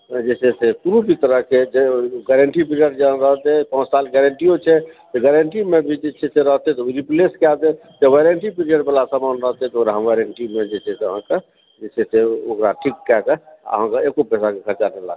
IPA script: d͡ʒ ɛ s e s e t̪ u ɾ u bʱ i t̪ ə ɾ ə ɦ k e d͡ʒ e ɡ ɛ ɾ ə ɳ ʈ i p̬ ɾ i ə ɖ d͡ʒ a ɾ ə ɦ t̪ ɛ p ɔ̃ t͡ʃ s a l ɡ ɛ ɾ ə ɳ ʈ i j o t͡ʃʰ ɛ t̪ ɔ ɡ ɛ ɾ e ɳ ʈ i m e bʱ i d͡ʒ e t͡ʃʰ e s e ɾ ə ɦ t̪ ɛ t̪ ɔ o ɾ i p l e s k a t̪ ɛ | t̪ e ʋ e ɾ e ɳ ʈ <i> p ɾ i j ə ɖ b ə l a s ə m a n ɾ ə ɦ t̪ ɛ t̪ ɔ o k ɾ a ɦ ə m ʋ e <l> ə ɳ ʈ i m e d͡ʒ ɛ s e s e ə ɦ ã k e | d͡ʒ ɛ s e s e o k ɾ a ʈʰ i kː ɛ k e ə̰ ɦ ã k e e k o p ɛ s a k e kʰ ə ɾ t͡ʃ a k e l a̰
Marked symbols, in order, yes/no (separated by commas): yes, no